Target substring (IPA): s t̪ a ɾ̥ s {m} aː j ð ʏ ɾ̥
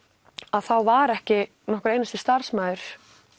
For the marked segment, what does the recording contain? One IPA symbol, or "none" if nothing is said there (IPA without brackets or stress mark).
m